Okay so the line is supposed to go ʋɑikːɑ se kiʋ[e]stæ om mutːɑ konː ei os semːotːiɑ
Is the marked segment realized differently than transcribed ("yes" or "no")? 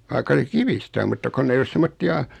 yes